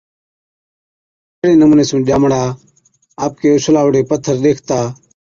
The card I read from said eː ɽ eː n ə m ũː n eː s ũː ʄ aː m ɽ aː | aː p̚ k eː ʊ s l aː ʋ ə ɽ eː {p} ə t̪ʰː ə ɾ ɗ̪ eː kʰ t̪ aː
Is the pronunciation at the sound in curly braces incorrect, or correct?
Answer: correct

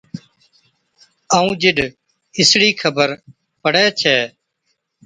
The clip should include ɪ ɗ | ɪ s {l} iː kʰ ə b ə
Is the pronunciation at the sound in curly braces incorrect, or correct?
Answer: incorrect: ɽ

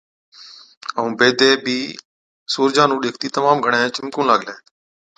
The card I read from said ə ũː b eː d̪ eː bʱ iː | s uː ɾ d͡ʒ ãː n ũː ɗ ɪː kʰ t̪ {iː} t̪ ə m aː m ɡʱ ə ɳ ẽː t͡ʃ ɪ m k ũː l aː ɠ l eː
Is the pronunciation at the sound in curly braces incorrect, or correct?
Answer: correct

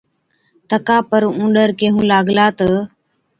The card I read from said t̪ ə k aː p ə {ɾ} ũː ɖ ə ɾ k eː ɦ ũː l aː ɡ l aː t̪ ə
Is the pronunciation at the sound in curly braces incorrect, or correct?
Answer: correct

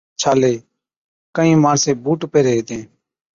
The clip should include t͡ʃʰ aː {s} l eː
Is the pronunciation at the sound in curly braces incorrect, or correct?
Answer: incorrect: none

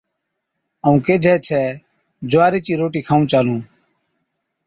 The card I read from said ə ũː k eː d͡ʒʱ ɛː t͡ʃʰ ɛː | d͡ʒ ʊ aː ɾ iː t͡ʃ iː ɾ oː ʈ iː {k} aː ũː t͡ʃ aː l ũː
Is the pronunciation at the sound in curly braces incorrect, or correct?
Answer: incorrect: kʰ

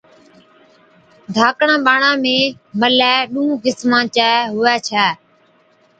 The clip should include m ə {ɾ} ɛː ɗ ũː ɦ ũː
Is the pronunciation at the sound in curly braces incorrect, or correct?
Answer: incorrect: l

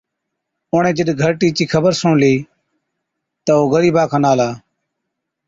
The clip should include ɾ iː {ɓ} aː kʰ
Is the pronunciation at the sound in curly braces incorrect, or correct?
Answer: incorrect: b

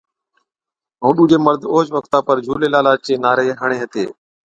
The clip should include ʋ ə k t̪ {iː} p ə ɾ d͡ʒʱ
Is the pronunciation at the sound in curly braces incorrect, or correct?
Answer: incorrect: aː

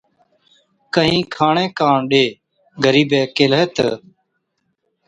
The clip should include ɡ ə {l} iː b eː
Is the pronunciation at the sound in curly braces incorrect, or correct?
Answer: incorrect: ɾ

